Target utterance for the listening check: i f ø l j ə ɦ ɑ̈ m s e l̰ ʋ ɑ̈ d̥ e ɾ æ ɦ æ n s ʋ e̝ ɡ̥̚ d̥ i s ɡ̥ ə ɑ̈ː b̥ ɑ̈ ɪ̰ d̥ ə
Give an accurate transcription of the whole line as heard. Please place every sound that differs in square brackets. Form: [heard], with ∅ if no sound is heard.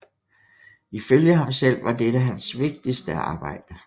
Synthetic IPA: i f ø l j ə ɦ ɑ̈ m s e l̰ ʋ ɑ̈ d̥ e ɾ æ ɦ æ n s ʋ e̝ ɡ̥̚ d̥ i s [d̥] ə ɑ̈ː b̥ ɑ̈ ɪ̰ d̥ ə